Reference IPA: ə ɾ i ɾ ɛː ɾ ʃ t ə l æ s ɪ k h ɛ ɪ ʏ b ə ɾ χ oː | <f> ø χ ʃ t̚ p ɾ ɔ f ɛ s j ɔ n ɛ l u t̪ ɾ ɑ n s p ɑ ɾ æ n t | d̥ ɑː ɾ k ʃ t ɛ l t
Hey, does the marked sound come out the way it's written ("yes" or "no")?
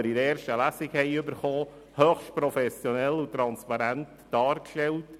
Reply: no